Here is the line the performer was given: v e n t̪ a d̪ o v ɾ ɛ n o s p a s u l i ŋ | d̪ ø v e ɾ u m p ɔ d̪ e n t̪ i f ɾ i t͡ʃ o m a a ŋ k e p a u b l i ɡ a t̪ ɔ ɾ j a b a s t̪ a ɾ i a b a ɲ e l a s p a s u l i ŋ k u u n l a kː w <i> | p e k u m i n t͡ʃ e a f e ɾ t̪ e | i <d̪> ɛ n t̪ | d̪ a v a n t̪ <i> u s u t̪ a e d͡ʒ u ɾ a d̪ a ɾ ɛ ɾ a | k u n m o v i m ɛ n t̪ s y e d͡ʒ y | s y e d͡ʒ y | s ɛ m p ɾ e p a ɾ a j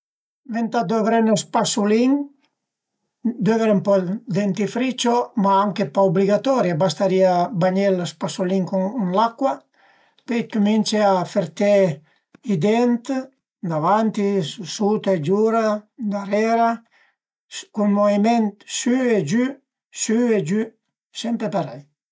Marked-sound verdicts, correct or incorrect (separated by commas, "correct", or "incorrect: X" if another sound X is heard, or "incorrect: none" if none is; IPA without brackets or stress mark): incorrect: a, correct, correct